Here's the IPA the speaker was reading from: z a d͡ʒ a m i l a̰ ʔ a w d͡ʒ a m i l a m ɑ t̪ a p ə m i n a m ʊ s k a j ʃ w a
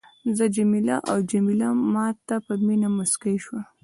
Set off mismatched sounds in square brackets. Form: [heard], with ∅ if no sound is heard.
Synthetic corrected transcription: z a d͡ʒ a m i l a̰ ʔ a w d͡ʒ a m i l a m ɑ t̪ a p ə m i n a m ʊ s k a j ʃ w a